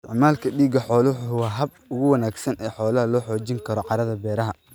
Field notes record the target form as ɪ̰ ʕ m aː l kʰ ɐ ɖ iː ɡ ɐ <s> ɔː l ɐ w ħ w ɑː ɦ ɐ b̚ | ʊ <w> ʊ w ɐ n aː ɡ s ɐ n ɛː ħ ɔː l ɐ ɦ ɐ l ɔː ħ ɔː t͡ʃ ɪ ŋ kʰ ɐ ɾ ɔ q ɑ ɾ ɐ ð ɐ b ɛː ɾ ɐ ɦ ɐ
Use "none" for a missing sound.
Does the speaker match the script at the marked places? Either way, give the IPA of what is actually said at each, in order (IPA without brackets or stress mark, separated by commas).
ħ, ɣ